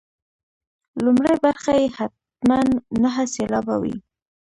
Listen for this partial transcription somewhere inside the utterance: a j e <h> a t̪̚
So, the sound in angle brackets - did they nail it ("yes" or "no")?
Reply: yes